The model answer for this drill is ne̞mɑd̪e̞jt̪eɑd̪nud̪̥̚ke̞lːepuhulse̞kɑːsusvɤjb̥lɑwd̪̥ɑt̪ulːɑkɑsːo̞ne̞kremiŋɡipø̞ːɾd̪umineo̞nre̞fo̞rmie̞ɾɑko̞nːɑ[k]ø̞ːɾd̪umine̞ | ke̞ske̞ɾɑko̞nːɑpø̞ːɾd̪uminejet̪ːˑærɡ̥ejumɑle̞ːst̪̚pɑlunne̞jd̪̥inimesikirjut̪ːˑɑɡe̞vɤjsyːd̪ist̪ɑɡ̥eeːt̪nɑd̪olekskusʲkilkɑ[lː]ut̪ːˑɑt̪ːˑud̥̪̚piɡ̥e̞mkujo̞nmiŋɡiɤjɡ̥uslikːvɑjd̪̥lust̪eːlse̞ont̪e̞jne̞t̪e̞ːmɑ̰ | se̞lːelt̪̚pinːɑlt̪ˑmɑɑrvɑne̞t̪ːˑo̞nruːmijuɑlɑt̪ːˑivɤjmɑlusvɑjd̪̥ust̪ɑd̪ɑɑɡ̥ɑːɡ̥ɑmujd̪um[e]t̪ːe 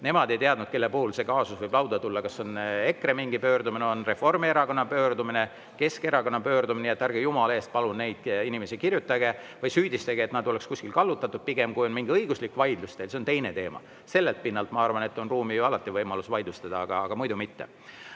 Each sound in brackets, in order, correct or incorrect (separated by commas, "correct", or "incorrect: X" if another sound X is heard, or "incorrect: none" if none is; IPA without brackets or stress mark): incorrect: p, correct, incorrect: i